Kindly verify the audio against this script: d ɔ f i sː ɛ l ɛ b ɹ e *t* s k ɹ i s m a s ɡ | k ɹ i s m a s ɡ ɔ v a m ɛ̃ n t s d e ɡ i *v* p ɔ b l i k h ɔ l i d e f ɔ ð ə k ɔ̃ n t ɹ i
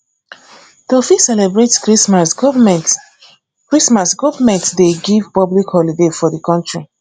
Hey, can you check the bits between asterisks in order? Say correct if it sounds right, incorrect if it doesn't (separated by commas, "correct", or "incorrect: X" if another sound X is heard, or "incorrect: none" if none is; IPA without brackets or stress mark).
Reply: correct, correct